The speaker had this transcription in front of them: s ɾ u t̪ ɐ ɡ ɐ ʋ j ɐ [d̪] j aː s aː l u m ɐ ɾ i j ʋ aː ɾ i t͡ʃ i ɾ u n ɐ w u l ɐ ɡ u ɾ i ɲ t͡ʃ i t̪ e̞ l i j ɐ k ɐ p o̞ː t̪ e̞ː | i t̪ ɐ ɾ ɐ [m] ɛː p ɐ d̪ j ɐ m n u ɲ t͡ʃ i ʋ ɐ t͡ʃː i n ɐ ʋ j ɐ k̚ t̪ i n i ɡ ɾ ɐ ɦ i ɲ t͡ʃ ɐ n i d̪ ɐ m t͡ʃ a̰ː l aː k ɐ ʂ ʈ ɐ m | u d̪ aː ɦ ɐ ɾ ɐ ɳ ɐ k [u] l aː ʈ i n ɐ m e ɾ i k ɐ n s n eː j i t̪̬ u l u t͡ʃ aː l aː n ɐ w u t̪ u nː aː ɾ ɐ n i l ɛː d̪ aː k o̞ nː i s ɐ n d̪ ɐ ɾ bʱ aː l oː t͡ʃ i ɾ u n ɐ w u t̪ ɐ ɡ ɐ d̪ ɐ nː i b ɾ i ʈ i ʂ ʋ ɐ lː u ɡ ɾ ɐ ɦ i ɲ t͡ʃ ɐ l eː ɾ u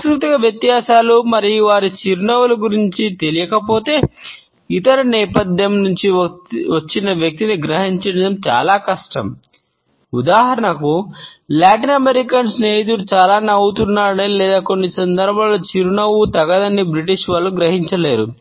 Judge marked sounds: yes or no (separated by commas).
no, no, yes